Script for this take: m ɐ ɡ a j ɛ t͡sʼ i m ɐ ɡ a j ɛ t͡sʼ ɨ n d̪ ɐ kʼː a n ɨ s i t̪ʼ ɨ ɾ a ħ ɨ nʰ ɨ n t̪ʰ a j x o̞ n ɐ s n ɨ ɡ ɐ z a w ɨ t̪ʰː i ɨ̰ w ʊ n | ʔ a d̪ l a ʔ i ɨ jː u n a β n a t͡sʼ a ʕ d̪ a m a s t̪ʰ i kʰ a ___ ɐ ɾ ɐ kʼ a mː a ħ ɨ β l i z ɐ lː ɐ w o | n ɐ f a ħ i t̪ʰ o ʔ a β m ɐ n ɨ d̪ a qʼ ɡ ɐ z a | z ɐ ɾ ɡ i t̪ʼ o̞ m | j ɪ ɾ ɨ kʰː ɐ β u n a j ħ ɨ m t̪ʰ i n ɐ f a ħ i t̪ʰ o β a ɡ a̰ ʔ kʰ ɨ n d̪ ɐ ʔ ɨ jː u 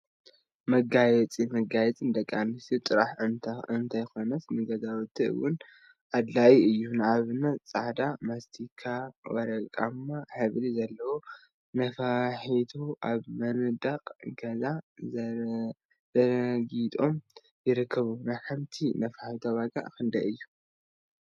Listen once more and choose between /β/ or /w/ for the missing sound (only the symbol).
w